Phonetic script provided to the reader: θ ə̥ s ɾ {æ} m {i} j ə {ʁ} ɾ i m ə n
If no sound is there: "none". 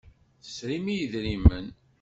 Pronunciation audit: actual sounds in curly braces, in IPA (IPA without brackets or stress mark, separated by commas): i, i, ð